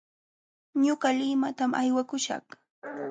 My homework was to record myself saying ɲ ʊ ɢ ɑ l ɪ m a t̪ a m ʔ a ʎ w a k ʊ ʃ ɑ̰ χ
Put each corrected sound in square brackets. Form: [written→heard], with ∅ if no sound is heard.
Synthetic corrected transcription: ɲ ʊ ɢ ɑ l ɪ m a t̪ a m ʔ a [ʎ→j] w a k ʊ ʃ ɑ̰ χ

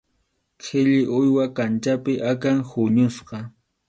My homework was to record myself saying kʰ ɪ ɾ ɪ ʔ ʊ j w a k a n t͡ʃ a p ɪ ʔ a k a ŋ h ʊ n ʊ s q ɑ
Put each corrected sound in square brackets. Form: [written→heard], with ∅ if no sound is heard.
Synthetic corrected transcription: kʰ ɪ [ɾ→ʎ] ɪ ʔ ʊ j w a k a n t͡ʃ a p ɪ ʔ a k a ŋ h ʊ [n→ɲ] ʊ s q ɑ

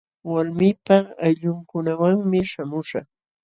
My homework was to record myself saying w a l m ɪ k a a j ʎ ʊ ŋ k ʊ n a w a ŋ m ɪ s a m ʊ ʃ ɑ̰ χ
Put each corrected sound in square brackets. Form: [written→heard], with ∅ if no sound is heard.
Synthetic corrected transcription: w a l m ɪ [k→p] a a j ʎ ʊ ŋ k ʊ n a w a ŋ m ɪ [s→ʃ] a m ʊ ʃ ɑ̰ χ

